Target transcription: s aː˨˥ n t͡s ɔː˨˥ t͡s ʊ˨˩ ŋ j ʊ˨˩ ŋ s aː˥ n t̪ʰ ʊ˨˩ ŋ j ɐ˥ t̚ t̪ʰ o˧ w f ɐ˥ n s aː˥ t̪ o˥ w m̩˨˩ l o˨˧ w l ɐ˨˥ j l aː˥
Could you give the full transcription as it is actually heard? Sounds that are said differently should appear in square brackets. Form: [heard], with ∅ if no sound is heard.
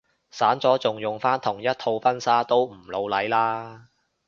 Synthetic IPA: s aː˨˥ n t͡s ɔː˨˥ t͡s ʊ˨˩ ŋ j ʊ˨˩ ŋ [f] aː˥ n t̪ʰ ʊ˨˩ ŋ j ɐ˥ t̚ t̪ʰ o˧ w f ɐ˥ n s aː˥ t̪ o˥ w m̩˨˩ l o˨˧ w l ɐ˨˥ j l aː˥